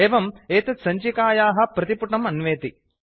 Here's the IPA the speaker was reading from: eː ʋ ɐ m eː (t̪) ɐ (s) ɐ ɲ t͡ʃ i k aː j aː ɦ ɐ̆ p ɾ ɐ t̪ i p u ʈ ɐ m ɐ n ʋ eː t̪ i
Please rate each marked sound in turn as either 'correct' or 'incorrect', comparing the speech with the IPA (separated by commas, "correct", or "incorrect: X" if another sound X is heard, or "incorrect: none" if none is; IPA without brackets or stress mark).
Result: correct, correct